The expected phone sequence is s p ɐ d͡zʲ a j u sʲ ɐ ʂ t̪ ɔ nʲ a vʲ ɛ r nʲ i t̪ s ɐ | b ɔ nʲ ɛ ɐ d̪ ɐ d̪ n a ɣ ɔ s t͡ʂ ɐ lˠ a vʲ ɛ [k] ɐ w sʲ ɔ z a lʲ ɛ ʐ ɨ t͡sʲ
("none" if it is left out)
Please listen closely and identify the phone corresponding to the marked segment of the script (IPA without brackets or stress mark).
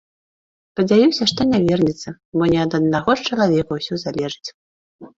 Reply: k